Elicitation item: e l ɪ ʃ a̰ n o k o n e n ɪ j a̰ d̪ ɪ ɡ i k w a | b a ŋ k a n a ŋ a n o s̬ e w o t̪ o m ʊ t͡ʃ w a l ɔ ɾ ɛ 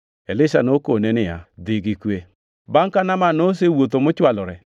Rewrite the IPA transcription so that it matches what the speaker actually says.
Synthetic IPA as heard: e l ɪ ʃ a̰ n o k o n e n ɪ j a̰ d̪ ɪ ɡ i k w e | b a ŋ k a n a m a n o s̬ e w o t̪ o m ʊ t͡ʃ w a l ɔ ɾ ɛ